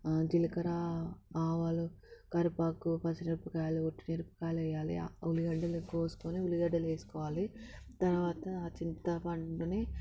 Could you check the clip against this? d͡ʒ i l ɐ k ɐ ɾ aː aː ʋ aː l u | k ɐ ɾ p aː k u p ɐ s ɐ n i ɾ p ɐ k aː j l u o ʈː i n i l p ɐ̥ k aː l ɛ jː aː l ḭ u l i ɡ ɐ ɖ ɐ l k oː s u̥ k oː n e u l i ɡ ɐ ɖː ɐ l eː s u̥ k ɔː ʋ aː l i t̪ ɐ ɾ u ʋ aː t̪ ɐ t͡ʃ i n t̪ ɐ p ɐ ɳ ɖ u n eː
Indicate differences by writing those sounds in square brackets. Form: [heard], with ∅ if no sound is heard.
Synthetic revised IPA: d͡ʒ i l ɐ k ɐ ɾ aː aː ʋ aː l u | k ɐ ɾ p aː k u p ɐ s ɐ n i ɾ p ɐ k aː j l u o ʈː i n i [ɾ] p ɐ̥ k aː l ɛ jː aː l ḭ u l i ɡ ɐ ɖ ɐ l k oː s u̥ k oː n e u l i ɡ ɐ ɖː ɐ l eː s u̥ k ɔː ʋ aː l i t̪ ɐ ɾ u ʋ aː t̪ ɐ t͡ʃ i n t̪ ɐ p ɐ ɳ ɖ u n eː